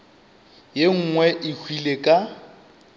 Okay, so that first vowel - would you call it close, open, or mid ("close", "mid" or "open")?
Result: mid